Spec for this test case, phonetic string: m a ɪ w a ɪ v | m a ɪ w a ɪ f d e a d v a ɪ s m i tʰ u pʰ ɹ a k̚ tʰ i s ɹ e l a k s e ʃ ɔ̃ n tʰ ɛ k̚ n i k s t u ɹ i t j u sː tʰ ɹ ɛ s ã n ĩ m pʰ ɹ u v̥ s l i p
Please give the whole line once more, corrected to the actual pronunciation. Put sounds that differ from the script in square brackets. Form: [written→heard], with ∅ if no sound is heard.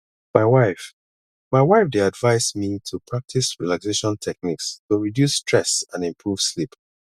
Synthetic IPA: m a ɪ w a ɪ [v→f] | m a ɪ w a ɪ f d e a d v a ɪ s m i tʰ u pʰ ɹ a k̚ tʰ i s ɹ [e→i] l a k s e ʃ ɔ̃ n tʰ ɛ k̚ n i k s t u ɹ i [t→d] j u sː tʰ ɹ ɛ s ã n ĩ m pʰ ɹ u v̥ s l i p